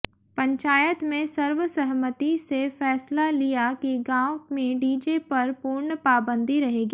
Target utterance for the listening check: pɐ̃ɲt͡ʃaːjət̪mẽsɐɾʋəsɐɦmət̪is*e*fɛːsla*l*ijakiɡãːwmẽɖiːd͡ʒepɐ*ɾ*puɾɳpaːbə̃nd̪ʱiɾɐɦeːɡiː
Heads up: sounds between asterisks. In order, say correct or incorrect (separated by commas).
correct, correct, correct